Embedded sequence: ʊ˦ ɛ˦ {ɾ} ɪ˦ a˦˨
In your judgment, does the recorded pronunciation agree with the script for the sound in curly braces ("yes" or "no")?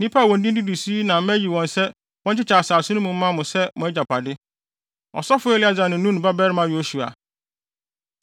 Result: no